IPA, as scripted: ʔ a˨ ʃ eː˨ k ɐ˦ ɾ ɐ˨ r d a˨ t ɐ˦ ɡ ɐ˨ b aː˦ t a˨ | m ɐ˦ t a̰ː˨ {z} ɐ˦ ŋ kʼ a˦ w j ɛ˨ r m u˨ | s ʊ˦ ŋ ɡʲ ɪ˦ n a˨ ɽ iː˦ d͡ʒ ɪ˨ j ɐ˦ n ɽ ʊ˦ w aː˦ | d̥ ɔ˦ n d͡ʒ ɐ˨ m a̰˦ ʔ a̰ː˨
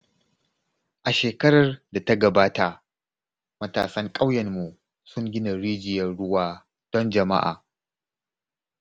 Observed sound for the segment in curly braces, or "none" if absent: s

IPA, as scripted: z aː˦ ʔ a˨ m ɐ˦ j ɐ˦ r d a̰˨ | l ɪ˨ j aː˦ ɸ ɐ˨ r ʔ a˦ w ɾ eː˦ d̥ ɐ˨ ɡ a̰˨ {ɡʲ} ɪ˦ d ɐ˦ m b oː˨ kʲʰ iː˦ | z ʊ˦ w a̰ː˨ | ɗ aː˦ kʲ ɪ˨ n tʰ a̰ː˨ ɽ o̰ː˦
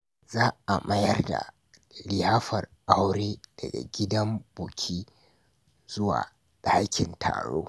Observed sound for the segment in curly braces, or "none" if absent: ɡʲ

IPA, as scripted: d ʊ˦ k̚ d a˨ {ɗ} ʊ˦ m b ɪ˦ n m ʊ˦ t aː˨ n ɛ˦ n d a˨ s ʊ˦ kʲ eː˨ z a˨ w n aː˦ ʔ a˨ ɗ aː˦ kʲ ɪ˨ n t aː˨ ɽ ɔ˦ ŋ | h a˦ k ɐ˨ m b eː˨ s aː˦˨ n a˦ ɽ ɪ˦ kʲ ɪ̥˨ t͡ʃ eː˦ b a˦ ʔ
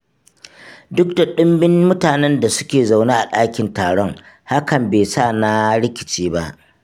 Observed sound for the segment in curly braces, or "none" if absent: ɗ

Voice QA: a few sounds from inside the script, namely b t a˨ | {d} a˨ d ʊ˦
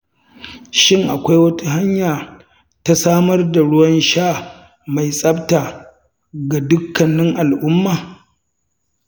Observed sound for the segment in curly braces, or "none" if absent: ɡ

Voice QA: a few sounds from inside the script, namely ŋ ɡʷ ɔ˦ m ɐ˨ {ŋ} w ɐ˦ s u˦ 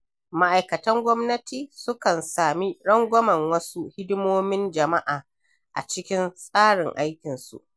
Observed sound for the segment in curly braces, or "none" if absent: ŋ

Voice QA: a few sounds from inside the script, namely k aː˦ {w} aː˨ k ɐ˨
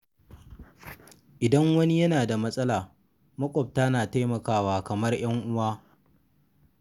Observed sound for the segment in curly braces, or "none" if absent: w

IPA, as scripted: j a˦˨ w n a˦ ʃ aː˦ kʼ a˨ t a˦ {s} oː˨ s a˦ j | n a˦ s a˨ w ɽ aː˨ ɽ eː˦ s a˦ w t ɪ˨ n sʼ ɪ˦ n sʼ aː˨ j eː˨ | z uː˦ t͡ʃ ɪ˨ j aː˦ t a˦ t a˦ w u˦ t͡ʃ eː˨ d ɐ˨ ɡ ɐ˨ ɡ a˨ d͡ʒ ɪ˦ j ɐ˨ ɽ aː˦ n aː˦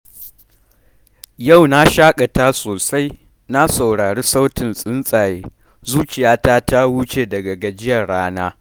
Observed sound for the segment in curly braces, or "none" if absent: s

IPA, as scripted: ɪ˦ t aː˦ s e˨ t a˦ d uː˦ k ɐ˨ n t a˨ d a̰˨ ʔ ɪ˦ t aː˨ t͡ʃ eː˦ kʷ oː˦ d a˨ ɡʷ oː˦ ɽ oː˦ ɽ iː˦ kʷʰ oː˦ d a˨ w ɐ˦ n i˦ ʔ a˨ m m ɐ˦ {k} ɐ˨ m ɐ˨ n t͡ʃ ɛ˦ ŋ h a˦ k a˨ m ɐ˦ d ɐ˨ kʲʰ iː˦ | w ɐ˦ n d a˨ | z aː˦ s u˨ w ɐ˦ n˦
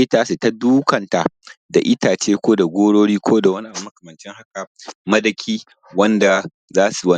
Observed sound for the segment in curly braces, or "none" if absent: k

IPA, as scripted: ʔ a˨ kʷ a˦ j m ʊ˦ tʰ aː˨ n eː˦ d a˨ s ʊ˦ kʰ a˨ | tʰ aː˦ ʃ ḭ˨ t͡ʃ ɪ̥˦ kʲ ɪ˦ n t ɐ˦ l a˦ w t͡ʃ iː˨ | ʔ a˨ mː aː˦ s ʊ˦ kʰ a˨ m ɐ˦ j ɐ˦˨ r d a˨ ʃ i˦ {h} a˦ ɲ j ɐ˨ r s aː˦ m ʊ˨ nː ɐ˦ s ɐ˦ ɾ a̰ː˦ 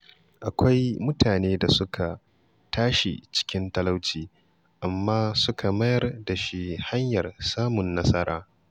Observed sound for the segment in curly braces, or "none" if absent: h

